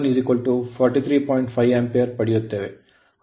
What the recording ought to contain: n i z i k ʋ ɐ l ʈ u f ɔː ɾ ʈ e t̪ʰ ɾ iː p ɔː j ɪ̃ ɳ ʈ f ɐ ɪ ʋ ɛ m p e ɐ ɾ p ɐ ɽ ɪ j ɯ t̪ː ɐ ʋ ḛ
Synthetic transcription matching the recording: n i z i k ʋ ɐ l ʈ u f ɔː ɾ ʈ i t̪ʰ ɾ iː p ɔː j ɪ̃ ɳ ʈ f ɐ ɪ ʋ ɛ m p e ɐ ɾ p ɐ ɽ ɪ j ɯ t̪ː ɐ ʋ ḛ